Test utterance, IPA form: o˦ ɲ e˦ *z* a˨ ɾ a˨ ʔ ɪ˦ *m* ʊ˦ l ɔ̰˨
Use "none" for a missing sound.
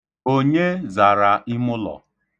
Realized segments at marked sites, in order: z, m

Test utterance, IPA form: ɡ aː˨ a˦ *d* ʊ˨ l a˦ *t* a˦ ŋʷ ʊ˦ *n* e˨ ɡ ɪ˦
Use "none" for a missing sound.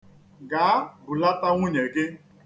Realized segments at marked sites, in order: b, t, ɲ

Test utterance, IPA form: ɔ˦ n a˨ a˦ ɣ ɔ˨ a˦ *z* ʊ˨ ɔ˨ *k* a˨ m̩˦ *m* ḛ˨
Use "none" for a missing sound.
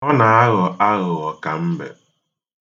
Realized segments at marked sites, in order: ɣ, k, b

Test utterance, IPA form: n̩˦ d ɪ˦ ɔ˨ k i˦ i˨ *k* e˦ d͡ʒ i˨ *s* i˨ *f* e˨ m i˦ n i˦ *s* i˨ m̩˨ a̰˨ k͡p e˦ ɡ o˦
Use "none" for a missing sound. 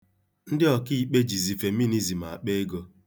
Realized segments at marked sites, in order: k͡p, z, f, z

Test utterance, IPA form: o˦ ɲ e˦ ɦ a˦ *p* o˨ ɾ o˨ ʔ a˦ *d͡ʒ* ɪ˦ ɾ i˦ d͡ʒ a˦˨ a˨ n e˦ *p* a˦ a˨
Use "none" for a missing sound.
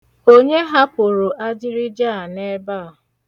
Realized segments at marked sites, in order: p, d͡ʒ, b

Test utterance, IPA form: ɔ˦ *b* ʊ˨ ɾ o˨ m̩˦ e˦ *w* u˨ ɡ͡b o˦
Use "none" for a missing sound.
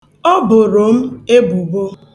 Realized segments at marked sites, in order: b, b

